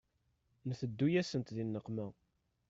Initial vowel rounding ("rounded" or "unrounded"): unrounded